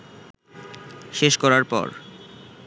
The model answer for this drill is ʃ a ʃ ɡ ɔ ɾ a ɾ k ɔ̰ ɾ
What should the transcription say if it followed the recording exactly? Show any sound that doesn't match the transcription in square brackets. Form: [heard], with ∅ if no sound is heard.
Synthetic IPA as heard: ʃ [e] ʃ [k] ɔ ɾ a ɾ [p] ɔ̰ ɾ